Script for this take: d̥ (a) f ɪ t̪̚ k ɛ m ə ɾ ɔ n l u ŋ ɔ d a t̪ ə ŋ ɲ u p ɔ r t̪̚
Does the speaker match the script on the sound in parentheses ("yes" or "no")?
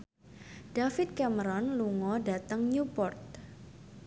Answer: yes